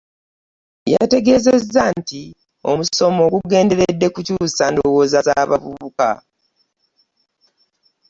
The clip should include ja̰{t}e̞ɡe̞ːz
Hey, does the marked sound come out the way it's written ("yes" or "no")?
yes